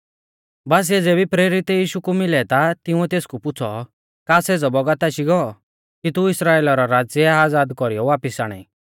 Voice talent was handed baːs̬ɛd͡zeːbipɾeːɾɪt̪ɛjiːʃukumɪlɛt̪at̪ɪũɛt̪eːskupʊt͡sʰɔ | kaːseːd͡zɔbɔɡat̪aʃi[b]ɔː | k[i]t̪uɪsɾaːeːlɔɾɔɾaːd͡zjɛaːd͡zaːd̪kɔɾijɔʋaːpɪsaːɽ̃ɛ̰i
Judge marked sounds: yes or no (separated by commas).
no, yes